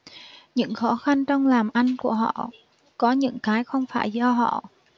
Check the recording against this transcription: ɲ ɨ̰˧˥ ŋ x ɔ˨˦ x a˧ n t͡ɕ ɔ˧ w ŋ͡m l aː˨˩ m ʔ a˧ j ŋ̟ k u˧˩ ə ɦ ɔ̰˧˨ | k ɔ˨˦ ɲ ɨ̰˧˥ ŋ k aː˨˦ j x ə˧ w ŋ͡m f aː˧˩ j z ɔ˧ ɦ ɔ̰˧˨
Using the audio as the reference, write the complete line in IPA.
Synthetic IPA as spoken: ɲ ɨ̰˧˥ ŋ x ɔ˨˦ x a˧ n t͡ɕ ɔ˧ w ŋ͡m l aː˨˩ m ʔ a˧ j ŋ̟ k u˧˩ ə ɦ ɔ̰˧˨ | k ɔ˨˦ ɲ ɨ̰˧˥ ŋ k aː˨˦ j x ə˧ w ŋ͡m f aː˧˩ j z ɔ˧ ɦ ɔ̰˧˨